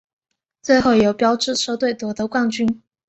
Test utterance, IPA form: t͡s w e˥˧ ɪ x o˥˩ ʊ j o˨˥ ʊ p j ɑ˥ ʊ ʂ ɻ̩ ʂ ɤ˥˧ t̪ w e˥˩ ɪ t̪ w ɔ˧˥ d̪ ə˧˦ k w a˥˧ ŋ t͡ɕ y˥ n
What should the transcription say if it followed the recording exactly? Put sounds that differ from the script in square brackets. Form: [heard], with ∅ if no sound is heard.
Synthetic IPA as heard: t͡s w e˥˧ ɪ x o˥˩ ʊ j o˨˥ ʊ p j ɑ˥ ʊ [ʈ͡ʂ] ɻ̩ ʂ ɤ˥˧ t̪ w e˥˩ ɪ t̪ w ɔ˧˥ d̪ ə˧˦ k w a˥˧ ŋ t͡ɕ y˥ n